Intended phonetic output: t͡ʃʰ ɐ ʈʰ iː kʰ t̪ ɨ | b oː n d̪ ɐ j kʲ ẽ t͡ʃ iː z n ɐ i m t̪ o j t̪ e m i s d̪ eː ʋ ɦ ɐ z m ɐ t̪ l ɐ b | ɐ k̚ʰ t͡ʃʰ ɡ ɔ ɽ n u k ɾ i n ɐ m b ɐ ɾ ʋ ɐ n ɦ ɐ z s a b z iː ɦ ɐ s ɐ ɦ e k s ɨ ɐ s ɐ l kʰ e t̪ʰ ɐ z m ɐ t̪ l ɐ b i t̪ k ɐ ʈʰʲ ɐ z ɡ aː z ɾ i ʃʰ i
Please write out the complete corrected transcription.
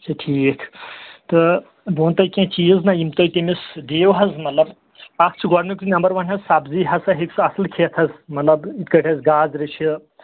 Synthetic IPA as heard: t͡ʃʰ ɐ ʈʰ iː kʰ t̪ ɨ | b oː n t̪ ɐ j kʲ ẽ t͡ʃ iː z n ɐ i m t̪ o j t̪ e m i s d̪ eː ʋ ɦ ɐ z m ɐ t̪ l ɐ b | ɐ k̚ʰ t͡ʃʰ ɡ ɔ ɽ n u k ɾ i n ɐ m b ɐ ɾ ʋ ɐ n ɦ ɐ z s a b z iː ɦ ɐ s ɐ ɦ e k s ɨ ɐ s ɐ l kʰ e t̪ʰ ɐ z m ɐ t̪ l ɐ b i t̪ k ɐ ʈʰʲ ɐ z ɡ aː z ɾ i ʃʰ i